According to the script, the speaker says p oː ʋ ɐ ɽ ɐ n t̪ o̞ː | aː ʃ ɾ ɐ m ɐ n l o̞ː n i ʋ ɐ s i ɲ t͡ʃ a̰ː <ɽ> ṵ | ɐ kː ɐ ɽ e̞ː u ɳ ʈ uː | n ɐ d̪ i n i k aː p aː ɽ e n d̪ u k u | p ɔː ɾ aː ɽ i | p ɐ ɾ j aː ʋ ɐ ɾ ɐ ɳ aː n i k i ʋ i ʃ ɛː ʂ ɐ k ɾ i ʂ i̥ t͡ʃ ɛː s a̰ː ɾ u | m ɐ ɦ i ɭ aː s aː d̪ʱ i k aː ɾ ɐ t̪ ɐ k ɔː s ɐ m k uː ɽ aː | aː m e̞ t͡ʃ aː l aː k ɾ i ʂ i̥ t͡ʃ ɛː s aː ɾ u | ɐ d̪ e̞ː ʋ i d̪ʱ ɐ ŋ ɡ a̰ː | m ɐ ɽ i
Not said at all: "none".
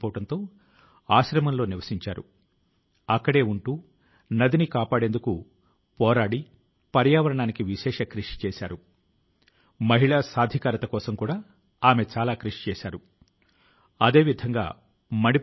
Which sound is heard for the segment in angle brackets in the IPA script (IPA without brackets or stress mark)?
ɾ